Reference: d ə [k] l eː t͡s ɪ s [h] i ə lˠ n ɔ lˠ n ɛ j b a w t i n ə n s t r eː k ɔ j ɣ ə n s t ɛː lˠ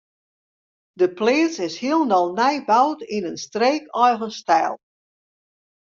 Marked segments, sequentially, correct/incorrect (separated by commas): incorrect, correct